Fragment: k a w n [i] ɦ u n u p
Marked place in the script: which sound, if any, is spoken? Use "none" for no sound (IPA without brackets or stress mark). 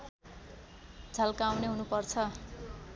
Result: e